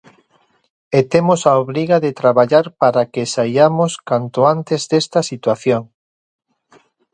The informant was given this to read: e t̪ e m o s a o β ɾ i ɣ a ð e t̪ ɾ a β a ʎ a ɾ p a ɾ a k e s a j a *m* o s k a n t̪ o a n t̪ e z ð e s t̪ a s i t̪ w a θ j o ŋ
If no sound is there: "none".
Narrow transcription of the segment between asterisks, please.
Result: m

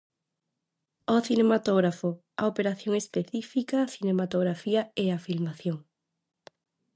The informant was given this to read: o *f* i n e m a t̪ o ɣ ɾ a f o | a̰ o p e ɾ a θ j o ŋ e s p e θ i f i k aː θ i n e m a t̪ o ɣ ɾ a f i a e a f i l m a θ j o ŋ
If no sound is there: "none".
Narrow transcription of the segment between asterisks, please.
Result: θ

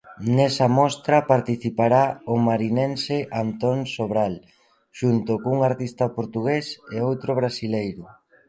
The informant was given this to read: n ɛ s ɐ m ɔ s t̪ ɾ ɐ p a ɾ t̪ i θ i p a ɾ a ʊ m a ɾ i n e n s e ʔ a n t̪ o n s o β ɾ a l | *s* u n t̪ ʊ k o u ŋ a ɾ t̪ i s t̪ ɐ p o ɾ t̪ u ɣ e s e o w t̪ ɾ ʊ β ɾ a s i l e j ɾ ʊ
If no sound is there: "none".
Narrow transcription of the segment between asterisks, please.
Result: ʃ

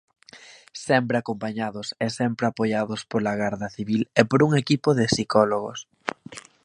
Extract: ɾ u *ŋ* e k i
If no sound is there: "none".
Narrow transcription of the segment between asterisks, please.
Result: ŋ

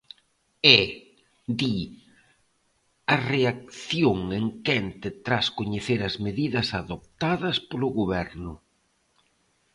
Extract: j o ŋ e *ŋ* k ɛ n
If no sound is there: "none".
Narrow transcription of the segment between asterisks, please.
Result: ŋ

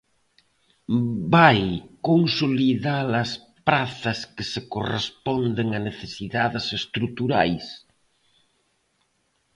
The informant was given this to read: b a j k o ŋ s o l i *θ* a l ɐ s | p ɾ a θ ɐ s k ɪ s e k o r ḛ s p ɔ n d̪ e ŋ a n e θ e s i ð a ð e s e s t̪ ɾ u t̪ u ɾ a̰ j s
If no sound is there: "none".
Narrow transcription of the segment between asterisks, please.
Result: ð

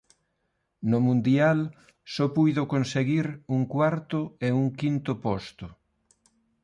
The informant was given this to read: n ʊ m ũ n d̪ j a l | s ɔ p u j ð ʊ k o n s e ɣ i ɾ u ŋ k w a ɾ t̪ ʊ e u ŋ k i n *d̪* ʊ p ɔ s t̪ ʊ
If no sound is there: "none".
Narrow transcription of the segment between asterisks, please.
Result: t̪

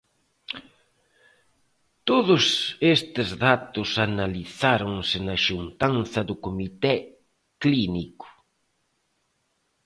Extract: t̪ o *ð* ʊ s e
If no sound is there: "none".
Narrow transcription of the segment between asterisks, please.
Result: ð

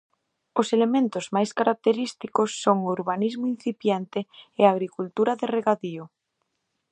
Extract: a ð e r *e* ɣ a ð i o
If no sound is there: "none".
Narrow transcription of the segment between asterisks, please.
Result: e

